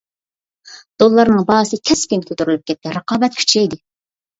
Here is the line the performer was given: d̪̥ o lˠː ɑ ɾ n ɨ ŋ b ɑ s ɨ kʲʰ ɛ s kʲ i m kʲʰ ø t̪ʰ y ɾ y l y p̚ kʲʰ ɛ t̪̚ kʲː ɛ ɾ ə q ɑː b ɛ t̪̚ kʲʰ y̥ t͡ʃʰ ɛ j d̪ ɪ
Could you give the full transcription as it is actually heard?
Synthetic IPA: d̪̥ o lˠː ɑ ɾ n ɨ ŋ b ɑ s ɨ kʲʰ ɛ s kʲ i n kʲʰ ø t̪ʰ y ɾ y l y p̚ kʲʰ ɛ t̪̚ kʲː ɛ ɾ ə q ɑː b ɛ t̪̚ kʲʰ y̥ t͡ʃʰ ɛ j d̪ ɪ